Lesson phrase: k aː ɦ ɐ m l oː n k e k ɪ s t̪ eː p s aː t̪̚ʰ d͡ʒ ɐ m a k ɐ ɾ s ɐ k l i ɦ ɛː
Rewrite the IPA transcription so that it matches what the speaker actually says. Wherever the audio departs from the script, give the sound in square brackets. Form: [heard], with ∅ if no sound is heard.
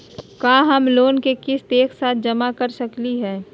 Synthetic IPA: k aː ɦ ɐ m l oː n k e k ɪ s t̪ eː [k] s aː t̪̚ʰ d͡ʒ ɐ m a k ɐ ɾ s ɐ k l i ɦ ɛː